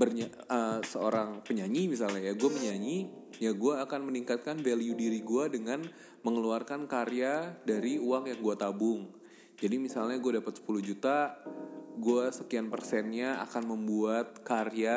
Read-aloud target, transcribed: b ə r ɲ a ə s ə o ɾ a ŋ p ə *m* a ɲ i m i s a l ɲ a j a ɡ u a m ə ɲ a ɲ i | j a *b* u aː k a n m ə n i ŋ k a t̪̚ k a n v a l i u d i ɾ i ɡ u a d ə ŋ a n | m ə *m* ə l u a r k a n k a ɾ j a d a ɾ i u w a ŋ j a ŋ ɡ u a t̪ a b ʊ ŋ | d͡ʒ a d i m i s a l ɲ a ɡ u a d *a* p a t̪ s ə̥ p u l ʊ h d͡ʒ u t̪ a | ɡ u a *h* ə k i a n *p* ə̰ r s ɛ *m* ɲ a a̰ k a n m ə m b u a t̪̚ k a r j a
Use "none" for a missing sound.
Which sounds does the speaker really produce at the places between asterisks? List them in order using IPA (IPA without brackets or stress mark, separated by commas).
ɲ, ɡ, ŋ, a, s, p, n